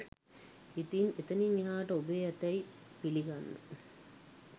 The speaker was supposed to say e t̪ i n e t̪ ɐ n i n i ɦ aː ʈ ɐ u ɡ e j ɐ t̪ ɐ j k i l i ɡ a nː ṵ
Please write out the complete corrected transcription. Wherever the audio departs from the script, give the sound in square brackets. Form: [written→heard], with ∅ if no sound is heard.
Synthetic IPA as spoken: [e→i] t̪ i n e t̪ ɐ n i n i ɦ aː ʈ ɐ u [ɡ→b] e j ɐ t̪ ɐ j [k→p] i l i ɡ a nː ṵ